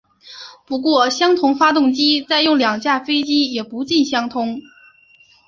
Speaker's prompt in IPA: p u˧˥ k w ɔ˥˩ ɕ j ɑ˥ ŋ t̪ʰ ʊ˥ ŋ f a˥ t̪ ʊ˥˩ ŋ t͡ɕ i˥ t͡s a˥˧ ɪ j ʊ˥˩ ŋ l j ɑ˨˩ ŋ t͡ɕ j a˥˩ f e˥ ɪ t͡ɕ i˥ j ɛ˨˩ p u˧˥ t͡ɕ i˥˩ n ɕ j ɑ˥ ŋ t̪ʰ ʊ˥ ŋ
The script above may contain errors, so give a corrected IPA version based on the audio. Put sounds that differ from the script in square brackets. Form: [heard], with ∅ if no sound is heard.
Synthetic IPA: p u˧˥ k w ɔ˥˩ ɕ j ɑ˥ ŋ t̪ʰ [ʊ˧˥] ŋ f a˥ t̪ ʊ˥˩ ŋ t͡ɕ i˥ t͡s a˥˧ ɪ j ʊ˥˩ ŋ l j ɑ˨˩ ŋ t͡ɕ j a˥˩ f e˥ ɪ t͡ɕ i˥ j ɛ˨˩ p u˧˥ t͡ɕ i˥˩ n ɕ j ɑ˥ ŋ t̪ʰ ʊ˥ ŋ